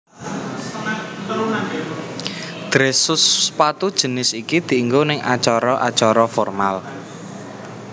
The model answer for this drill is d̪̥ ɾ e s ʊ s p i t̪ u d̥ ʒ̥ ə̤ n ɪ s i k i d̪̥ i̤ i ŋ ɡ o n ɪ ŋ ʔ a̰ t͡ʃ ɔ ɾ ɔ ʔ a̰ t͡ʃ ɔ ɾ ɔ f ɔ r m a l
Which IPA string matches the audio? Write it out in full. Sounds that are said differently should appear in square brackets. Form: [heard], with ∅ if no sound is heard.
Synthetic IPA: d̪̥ ɾ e s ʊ s p [a] t̪ u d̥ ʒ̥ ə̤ n ɪ s i k i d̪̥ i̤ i ŋ ɡ o n ɪ ŋ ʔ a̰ t͡ʃ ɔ ɾ ɔ ʔ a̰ t͡ʃ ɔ ɾ ɔ f ɔ r m a l